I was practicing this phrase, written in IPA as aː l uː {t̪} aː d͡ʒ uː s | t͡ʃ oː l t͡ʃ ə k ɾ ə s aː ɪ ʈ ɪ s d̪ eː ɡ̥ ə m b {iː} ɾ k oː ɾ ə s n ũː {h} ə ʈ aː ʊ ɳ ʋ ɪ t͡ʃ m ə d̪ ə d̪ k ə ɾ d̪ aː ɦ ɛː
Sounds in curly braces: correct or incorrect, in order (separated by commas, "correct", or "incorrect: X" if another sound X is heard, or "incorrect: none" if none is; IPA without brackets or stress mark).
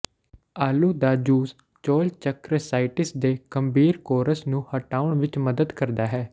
incorrect: d̪, correct, correct